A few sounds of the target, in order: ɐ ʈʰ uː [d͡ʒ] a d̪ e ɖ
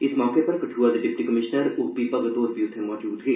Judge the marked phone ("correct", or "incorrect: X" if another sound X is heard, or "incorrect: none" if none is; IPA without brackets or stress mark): incorrect: none